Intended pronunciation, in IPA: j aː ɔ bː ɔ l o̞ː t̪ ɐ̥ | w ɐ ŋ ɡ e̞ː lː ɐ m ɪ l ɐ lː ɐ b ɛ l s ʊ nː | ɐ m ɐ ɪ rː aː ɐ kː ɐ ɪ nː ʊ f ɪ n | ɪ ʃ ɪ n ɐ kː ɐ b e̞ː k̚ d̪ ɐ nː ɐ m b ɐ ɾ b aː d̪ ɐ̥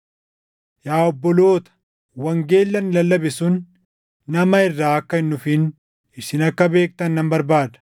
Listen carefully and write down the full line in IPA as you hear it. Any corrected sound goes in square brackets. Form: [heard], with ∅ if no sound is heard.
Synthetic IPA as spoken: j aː ɔ bː ɔ l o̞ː t̪ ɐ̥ | w ɐ ŋ ɡ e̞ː lː ɐ [n] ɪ l ɐ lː ɐ b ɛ [∅] s ʊ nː | ɐ m ɐ ɪ rː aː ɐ kː ɐ ɪ nː ʊ f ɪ n | ɪ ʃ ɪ n ɐ kː ɐ b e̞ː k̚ [t̪] ɐ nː ɐ m b ɐ ɾ b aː d̪ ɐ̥

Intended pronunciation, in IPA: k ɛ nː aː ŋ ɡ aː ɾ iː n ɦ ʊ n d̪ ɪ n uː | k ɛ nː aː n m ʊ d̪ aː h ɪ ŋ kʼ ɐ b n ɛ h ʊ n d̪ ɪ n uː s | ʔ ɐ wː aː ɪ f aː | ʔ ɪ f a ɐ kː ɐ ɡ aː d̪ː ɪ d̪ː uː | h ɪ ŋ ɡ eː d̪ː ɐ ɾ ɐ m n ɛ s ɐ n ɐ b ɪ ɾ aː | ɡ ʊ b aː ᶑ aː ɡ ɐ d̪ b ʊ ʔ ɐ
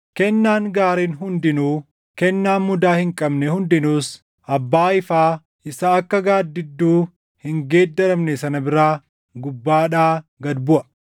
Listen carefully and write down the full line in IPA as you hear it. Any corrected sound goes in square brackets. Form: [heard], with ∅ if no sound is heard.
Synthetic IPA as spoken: k ɛ nː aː ŋ ɡ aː ɾ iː n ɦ ʊ n d̪ ɪ n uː | k ɛ nː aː n m ʊ d̪ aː h ɪ ŋ kʼ ɐ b n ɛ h ʊ n d̪ ɪ n uː s | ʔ ɐ [bː] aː ɪ f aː | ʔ ɪ [s] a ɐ kː ɐ ɡ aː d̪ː ɪ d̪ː uː | h ɪ ŋ ɡ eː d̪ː ɐ ɾ ɐ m n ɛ s ɐ n ɐ b ɪ ɾ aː | ɡ ʊ [bː] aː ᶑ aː ɡ ɐ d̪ b ʊ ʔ ɐ

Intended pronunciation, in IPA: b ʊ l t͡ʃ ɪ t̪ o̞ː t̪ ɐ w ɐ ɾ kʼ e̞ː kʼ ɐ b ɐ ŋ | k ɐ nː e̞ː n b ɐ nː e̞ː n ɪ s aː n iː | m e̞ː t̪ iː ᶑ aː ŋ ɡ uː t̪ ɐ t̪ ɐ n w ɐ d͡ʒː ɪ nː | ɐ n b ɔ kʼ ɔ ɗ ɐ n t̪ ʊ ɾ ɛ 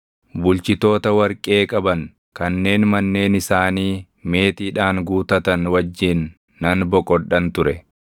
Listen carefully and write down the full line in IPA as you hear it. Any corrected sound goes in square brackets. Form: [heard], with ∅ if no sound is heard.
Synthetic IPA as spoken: b ʊ l t͡ʃ ɪ t̪ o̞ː t̪ ɐ w ɐ ɾ kʼ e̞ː kʼ ɐ b ɐ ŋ | k ɐ nː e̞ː n [m] ɐ nː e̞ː n ɪ s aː n iː | m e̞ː t̪ iː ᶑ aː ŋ ɡ uː t̪ ɐ t̪ ɐ n w ɐ d͡ʒː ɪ nː | ɐ n b ɔ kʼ ɔ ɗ ɐ n t̪ ʊ ɾ ɛ

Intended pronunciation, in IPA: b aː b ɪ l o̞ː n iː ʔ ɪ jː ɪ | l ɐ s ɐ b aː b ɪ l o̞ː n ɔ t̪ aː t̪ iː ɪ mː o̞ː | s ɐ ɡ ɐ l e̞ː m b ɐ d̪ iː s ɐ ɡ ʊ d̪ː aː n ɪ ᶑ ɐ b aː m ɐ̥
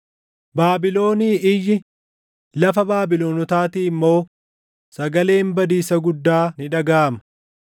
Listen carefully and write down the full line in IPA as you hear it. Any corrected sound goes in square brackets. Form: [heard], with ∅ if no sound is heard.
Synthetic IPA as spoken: b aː b ɪ l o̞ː n iː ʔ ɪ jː ɪ | l ɐ [f] ɐ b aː b ɪ l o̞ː n ɔ t̪ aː t̪ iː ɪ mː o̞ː | s ɐ ɡ ɐ l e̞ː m b ɐ d̪ iː s ɐ ɡ ʊ d̪ː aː n ɪ ᶑ ɐ [ɡ] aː m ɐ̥

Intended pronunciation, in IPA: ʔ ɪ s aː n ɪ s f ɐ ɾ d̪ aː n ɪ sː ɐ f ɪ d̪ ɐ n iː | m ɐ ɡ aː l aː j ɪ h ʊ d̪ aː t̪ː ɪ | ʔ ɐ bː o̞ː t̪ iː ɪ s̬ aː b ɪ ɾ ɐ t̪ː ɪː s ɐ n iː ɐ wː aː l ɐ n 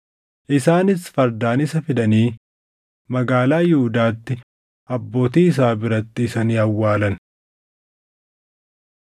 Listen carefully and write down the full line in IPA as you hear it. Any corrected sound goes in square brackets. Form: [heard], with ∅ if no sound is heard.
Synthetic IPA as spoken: ʔ ɪ s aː n ɪ s f ɐ ɾ d̪ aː n ɪ [s] ɐ f ɪ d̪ ɐ n iː | m ɐ ɡ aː l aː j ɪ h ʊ d̪ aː t̪ː ɪ | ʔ ɐ bː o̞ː t̪ iː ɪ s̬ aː b ɪ ɾ ɐ t̪ː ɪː s ɐ n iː ɐ wː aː l ɐ n

